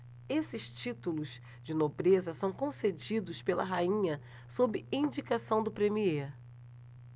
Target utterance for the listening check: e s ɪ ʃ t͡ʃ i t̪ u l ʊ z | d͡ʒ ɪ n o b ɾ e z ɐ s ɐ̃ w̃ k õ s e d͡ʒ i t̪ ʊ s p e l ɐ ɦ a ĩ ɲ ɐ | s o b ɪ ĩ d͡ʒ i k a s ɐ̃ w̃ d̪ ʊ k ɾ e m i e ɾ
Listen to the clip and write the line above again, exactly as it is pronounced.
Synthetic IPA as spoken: e s ɪ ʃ t͡ʃ i t̪ u l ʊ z | d͡ʒ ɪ n o b ɾ e z ɐ s ɐ̃ w̃ k õ s e d͡ʒ i d̪ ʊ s p e l ɐ ɦ a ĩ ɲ ɐ | s o b ɪ ĩ d͡ʒ i k a s ɐ̃ w̃ d̪ ʊ p ɾ e m i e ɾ